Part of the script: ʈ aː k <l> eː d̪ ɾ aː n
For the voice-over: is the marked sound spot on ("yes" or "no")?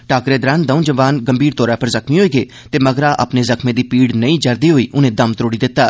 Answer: no